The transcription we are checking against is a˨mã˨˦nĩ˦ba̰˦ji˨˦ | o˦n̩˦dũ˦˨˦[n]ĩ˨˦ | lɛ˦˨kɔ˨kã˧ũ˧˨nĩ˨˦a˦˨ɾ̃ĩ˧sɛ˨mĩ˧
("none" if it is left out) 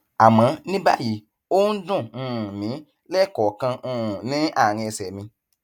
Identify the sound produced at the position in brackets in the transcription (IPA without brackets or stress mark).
m